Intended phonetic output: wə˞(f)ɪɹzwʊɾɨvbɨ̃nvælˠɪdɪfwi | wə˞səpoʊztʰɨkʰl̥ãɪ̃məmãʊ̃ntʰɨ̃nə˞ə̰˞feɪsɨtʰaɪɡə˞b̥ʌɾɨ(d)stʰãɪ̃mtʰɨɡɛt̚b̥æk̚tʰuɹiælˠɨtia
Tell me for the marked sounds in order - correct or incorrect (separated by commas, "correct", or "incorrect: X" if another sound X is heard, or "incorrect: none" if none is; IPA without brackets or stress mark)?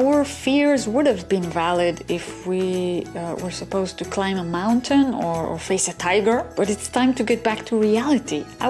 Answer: correct, incorrect: t